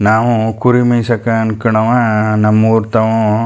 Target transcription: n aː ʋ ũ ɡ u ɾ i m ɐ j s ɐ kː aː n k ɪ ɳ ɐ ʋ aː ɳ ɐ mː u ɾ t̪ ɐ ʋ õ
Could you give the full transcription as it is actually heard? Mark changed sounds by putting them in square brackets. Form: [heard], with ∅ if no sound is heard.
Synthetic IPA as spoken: n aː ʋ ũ [k] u ɾ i m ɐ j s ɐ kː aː n k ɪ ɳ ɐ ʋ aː [n] ɐ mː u ɾ t̪ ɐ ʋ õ